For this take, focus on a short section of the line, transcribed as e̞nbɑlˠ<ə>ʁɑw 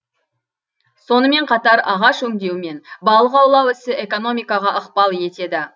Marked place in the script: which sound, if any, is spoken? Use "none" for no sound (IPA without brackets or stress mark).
ə